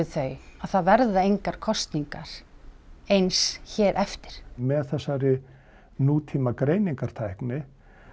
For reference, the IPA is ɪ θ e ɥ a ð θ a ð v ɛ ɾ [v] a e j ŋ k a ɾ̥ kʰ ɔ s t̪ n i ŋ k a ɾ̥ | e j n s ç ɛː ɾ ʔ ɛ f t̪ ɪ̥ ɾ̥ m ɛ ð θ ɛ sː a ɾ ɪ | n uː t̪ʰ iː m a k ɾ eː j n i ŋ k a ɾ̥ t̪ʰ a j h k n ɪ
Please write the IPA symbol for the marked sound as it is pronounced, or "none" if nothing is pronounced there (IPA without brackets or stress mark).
ð